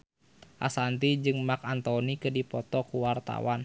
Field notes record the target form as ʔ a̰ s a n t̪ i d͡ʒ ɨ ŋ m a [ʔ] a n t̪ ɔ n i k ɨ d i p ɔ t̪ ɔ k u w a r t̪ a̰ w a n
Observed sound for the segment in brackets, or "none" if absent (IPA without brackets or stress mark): k